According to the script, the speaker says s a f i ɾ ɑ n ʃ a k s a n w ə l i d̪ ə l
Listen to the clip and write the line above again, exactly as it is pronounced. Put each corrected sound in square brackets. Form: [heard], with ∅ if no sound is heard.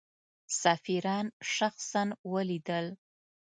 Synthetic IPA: s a f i ɾ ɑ n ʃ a [x] s a n w ə l i d̪ ə l